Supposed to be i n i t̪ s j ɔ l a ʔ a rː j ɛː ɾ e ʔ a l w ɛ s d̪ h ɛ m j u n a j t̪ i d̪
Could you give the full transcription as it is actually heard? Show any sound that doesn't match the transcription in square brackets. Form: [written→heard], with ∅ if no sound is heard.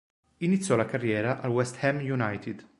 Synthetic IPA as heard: i n i t̪ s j ɔ l a [ʔ→k] a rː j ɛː ɾ [e→a] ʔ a l w ɛ s [d̪→t̪] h ɛ m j u n a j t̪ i d̪